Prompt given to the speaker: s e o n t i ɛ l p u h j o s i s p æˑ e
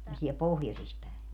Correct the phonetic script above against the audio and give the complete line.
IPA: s e o n s i ɛ l p o h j o s i s p æˑ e